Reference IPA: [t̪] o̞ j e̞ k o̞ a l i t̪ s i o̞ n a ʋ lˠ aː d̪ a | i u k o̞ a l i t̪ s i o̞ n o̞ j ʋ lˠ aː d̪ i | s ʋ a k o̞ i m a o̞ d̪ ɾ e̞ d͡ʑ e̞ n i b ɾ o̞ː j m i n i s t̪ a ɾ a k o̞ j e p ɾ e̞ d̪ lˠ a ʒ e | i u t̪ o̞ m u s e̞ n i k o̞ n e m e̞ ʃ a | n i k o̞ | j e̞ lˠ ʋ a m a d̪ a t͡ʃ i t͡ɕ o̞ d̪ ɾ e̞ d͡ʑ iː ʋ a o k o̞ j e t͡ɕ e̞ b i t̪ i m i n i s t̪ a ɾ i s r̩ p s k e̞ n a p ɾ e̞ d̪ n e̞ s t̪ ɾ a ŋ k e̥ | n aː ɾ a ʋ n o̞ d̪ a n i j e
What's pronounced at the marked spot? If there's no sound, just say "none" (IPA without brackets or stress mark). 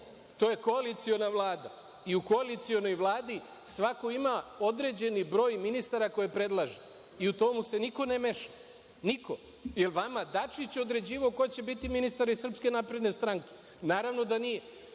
t̪